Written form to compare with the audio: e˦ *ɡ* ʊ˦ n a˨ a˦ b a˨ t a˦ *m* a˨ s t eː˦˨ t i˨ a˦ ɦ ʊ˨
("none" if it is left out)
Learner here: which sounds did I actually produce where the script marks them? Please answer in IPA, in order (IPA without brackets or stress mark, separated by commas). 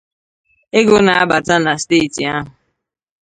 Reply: ɡ, n